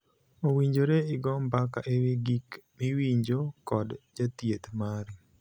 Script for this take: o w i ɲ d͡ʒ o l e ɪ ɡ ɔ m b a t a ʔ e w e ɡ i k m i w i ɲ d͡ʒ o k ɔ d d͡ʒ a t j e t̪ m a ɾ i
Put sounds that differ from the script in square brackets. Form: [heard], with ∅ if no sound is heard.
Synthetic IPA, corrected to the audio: o w i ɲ d͡ʒ o [ɾ] e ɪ ɡ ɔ m b a [k] a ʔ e w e ɡ i k m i w i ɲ d͡ʒ o k ɔ d d͡ʒ a t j e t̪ m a ɾ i